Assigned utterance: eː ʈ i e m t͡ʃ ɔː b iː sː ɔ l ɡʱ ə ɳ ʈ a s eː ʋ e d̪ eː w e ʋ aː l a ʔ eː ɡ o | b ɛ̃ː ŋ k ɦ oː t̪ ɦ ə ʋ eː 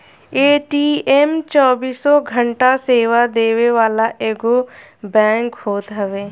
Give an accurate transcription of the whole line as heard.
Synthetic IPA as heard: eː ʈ i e m t͡ʃ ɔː b iː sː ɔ ɡʱ ə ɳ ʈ a s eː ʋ a d̪ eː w e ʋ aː l a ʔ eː ɡ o | b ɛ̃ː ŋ k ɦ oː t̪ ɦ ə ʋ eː